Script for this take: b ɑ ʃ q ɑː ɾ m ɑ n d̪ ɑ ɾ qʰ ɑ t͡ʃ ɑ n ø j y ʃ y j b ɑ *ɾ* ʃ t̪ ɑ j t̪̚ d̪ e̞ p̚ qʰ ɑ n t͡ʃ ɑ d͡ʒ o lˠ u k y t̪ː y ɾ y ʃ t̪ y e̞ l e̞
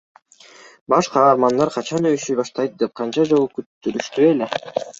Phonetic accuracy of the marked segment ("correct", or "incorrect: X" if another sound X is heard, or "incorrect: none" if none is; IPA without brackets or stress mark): incorrect: none